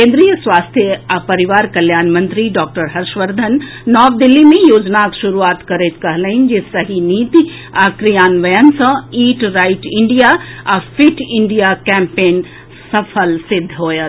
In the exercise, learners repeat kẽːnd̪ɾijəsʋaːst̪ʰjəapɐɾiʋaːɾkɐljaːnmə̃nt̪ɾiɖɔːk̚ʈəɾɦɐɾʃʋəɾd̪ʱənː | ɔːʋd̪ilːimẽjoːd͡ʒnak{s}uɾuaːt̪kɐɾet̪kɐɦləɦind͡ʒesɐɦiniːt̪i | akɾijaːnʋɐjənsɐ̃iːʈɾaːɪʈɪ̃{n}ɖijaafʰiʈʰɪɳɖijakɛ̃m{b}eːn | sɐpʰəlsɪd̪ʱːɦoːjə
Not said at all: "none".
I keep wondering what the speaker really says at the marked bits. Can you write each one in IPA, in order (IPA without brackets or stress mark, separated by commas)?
ʃ, ɳ, p